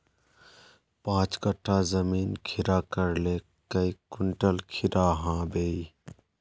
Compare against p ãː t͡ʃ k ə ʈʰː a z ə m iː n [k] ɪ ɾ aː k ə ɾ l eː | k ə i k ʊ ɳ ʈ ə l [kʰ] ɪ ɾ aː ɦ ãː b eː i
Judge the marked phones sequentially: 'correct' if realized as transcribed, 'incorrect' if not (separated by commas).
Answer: incorrect, correct